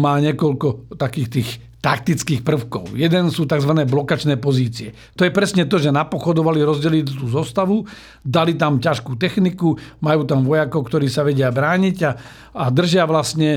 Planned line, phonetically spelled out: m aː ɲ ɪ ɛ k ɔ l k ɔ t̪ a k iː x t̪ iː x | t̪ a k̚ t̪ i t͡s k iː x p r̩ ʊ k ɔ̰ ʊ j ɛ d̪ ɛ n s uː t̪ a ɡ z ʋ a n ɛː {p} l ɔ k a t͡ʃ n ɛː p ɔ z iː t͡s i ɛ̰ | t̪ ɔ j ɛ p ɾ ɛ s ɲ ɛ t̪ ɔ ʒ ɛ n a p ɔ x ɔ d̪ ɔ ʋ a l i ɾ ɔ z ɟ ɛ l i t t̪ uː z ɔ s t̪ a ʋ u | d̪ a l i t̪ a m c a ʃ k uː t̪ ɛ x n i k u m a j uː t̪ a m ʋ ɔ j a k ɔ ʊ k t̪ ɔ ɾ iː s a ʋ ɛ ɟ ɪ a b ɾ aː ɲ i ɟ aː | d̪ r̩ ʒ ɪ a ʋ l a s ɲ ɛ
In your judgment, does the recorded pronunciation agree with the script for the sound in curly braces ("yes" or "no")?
no